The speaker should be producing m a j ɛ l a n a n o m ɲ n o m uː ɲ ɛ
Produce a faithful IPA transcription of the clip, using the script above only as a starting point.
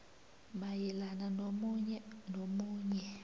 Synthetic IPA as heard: m a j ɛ l a n a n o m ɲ n o m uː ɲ ɛ